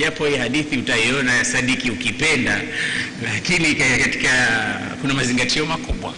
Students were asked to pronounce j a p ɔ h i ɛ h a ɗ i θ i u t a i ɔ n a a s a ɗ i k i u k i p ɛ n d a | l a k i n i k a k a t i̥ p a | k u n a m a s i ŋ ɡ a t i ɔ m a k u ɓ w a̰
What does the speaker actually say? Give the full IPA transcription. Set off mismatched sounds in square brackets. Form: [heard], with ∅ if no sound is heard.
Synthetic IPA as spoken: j a p ɔ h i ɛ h a ɗ i θ i u t a i ɔ n a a s a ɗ i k i u k i p ɛ n d a | l a k i n i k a k a t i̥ [k] a | k u n a m a [z] i ŋ ɡ a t i ɔ m a k u ɓ w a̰